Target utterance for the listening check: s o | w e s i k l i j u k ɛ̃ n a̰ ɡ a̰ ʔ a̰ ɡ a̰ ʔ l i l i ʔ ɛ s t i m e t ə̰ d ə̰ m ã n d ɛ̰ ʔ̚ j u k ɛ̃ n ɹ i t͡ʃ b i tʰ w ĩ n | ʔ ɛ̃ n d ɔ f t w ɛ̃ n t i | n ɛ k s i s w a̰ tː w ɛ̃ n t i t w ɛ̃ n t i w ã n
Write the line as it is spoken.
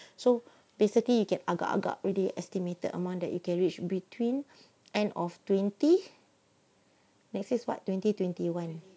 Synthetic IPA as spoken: s o | b e s i k l i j u k ɛ̃ n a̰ ɡ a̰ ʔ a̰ ɡ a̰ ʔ ɹ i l i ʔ ɛ s t i m e t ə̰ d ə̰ m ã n d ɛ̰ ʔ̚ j u k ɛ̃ n ɹ i t͡ʃ b i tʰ w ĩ n | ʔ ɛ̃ n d ɔ f t w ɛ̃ n t i | n ɛ k s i s w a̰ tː w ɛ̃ n t i t w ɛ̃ n t i w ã n

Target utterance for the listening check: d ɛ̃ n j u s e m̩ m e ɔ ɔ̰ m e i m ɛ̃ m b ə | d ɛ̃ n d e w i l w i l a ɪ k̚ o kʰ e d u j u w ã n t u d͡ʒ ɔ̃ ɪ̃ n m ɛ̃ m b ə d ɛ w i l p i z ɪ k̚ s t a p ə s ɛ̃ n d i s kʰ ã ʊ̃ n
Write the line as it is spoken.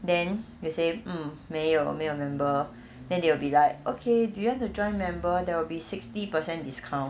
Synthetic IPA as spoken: d ɛ̃ n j u s e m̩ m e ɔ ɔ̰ m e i m ɛ̃ m b ə | d ɛ̃ n d e w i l b i l a ɪ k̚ o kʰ e d u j u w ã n t u d͡ʒ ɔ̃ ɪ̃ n m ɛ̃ m b ə d ɛ w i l b i s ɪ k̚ s t i p ə s ɛ̃ n d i s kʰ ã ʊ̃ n

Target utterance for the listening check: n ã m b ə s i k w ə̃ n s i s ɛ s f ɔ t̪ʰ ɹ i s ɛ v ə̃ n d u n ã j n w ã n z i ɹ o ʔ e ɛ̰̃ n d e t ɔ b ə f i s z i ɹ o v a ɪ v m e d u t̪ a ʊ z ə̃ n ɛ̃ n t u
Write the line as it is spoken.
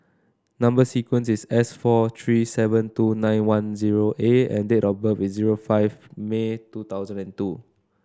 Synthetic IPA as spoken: n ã m b ə s i k w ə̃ n s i s ɛ s f ɔ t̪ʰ ɹ i s ɛ v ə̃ n t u n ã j n w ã n z i ɹ o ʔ e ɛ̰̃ n d e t ɔ b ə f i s z i ɹ o f a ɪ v m e t u t̪ a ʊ z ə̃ n ɛ̃ n t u

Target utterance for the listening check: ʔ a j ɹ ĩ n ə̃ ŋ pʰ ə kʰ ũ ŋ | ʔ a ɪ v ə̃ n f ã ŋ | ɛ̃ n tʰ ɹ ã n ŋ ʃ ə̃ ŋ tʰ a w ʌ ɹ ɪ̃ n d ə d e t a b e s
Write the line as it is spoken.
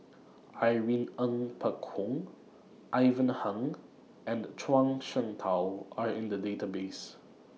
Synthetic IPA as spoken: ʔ a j ɹ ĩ n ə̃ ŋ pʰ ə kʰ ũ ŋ | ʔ a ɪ v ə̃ n h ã ŋ | ɛ̃ n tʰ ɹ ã ŋ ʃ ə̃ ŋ tʰ a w a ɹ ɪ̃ n d ə d e t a b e s

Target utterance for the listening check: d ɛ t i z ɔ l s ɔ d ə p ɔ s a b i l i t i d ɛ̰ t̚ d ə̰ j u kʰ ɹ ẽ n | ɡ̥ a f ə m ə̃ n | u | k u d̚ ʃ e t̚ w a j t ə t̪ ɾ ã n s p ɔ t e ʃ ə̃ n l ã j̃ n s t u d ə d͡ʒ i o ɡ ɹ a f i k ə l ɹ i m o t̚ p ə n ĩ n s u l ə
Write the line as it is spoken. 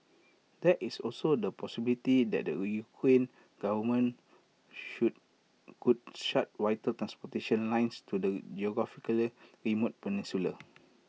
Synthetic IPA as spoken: d ɛ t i s ɔ l s o d ə p ɔ s i b i l i t i d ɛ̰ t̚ d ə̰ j u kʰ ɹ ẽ n | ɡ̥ a v ə m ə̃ n | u | k u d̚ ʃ a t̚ w a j t ə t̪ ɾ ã n s p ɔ t e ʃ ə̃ n l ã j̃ n s t u d ə d͡ʒ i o ɡ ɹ a f i k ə l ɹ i m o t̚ p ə n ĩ n s u l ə

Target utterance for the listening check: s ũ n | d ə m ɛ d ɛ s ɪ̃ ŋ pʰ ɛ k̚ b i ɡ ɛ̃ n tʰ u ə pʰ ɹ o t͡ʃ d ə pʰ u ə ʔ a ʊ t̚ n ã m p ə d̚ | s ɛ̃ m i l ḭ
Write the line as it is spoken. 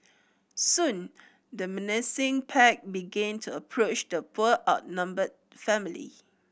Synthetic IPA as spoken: s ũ n | d ə m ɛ n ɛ s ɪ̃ ŋ pʰ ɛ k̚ b i ɡ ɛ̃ n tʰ u ə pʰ ɹ o t͡ʃ d ə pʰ u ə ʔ a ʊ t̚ n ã m b ə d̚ | f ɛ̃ m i l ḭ

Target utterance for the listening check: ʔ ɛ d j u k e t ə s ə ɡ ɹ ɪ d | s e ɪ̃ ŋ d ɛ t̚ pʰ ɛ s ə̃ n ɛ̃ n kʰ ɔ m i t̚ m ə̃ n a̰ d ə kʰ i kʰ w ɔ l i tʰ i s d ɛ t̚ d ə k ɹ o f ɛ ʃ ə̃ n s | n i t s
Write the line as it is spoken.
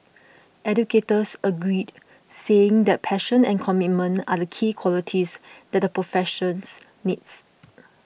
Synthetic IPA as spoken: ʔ ɛ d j u k e t ə s ə ɡ ɹ i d | s e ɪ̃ ŋ d ɛ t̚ pʰ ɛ ʃ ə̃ n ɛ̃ n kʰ ɔ m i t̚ m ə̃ n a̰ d ə kʰ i kʰ w ɔ l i tʰ i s d ɛ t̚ d ə p ɹ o f ɛ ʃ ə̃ n s | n i t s

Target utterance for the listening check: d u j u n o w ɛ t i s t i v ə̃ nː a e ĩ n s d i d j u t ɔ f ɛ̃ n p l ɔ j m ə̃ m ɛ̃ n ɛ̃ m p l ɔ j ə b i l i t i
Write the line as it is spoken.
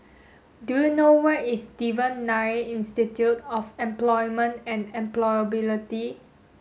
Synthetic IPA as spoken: d u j u n o w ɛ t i s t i v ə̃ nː a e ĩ n s t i t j u t ɔ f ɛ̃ m p l ɔ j m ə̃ n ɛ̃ n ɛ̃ m p l ɔ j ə b i l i t i

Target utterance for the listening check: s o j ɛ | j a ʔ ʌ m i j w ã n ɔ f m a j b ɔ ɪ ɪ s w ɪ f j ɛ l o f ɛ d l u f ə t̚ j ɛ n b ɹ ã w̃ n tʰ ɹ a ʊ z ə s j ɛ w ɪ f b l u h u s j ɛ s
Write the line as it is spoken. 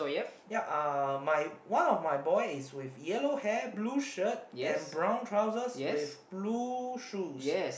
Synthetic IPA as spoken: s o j ɛ | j a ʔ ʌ m a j w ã n ɔ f m a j b ɔ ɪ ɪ s w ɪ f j ɛ l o h ɛ b l u ʃ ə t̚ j ɛ̃ n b ɹ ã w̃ n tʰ ɹ a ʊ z ə s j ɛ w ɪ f b l u ʃ u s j ɛ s

